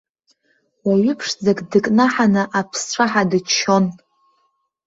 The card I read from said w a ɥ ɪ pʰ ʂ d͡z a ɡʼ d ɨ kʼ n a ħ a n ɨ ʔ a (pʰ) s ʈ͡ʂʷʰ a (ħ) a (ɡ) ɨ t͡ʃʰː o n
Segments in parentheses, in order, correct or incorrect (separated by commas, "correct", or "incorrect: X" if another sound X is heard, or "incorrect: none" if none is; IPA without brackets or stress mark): correct, correct, incorrect: d